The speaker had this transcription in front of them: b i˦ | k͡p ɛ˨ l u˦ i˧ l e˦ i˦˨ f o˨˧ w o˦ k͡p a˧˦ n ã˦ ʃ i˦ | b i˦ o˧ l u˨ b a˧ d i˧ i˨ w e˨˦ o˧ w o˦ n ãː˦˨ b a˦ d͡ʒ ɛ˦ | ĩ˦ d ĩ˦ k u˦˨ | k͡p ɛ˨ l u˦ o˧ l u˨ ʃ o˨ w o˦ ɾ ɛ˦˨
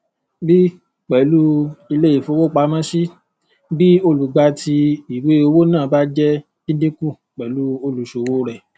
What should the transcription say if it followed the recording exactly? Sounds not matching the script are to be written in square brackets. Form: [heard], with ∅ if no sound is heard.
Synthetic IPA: b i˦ | k͡p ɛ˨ l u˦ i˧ l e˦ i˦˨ f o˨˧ w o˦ k͡p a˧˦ [m] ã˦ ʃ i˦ | b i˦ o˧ l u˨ [ɡ͡b] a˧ [t] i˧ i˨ w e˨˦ o˧ w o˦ n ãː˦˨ b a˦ d͡ʒ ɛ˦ | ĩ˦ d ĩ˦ k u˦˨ | k͡p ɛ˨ l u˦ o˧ l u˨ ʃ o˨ w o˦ ɾ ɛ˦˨

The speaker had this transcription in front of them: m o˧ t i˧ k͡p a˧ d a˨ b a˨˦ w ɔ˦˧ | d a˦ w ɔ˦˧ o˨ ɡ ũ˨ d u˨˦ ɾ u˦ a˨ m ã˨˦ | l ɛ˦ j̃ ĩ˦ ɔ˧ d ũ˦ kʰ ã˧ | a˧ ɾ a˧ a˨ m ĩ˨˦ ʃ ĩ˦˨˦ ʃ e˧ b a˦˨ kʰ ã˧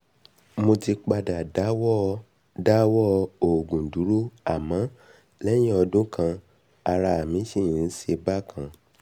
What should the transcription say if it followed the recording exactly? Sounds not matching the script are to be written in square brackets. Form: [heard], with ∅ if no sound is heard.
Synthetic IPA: m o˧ t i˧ k͡p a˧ d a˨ [d] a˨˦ w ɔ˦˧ | d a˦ w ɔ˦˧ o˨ ɡ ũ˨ d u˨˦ ɾ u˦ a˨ m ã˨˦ | l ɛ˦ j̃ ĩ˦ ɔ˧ d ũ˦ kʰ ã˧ | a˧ ɾ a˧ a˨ m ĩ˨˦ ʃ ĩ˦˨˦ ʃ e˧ b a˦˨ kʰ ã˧

